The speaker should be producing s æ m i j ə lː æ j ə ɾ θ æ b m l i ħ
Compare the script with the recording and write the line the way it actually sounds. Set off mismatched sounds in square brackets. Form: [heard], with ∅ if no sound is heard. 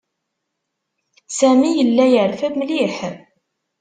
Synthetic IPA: s æ m i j ə lː æ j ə ɾ [f] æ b m l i ħ